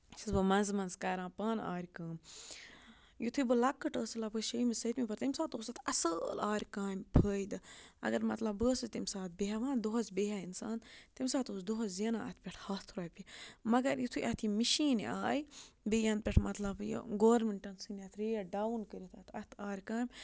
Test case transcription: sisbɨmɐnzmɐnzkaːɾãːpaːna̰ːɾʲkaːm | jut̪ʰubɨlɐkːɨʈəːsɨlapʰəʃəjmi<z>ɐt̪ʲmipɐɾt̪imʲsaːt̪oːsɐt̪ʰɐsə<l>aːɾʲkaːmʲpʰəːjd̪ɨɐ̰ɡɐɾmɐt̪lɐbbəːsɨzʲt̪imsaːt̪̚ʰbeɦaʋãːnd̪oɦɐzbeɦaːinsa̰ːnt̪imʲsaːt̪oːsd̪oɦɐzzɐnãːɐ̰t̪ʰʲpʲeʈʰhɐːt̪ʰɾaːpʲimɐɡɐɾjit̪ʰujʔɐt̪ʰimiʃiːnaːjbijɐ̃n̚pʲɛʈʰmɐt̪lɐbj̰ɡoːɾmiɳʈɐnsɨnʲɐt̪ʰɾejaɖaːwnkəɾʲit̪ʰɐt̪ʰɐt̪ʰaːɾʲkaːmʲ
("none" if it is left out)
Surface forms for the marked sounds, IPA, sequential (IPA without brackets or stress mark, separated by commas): s, l